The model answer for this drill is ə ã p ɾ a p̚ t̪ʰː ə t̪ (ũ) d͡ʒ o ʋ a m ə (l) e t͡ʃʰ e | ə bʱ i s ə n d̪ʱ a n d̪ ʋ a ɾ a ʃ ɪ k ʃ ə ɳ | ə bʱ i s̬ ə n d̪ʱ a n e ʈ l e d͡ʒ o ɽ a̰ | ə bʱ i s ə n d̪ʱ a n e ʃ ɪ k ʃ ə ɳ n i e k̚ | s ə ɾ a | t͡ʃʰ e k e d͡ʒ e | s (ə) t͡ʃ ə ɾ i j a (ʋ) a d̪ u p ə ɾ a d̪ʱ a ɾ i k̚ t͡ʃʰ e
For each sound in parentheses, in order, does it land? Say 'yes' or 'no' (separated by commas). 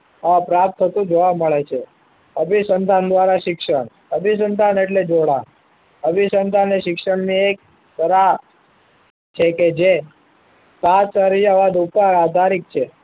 yes, no, no, yes